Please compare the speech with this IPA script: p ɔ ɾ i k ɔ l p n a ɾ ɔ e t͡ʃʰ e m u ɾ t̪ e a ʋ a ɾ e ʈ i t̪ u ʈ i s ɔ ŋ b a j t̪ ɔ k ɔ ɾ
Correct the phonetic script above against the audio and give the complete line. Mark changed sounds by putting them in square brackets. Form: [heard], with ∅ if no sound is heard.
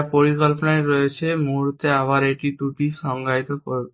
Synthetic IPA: p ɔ ɾ i k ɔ l p n a ɾ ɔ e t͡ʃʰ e m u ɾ t̪ e a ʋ a ɾ e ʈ i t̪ u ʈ i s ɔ ŋ [ɡ] a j t̪ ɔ k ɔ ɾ